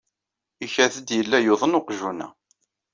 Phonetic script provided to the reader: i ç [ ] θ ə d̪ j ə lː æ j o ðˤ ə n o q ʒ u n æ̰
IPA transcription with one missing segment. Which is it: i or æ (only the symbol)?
æ